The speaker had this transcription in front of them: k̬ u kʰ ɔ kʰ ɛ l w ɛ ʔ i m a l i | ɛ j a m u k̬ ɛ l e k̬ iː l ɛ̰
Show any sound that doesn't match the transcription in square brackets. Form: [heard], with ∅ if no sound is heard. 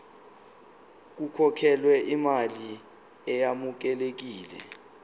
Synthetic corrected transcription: k̬ u kʰ ɔ kʰ ɛ l w ɛ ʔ i m a l i | ɛ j a m u k̬ ɛ l e k̬ iː l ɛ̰